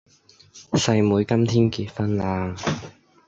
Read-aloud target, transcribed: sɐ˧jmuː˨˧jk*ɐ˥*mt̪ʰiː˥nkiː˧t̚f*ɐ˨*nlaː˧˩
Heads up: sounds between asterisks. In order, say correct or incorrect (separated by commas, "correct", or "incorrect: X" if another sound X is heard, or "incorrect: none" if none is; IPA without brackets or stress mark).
correct, incorrect: ɐ˥